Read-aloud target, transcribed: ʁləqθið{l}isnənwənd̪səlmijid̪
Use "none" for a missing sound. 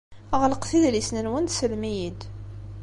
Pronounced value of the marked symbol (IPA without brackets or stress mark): l